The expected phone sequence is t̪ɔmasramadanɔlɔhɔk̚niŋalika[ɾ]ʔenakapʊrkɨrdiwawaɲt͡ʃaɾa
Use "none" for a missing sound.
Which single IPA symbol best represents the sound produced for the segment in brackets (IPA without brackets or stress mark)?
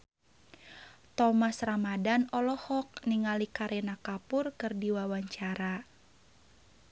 ɾ